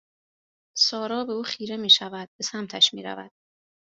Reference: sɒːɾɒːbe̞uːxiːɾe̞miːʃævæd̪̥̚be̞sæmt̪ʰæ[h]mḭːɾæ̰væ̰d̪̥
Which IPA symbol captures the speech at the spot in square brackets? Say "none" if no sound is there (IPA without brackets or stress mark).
ʃ